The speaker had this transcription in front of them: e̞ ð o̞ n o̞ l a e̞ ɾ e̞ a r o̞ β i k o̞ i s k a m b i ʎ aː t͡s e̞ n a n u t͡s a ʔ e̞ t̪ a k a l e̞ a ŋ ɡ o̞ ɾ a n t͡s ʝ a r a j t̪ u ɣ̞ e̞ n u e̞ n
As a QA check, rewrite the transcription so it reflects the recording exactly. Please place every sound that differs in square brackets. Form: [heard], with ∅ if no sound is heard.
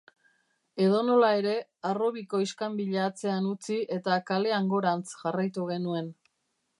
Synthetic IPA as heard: e̞ ð o̞ n o̞ l a e̞ ɾ e̞ a r o̞ β i k o̞ i s k a m b i ʎ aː t͡s e̞ [∅] a n u t͡s [i] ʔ e̞ t̪ a k a l e̞ a ŋ ɡ o̞ ɾ a n t͡s ʝ a r a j t̪ u ɣ̞ e̞ n u e̞ n